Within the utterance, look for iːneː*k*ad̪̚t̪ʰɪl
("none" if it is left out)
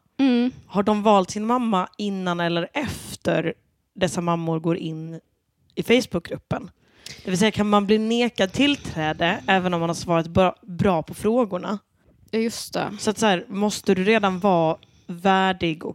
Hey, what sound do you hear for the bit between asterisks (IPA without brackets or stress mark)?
k